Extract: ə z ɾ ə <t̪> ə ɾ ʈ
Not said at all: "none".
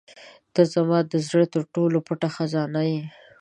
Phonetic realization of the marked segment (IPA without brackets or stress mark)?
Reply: t̪